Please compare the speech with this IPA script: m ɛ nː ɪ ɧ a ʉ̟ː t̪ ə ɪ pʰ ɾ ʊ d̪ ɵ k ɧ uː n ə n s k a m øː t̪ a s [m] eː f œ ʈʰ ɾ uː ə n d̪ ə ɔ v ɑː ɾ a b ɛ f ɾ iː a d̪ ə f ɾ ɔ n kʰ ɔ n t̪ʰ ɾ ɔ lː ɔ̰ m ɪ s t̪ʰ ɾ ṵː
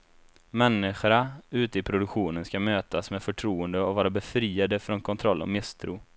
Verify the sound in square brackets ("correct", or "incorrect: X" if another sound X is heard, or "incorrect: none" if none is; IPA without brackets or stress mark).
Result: correct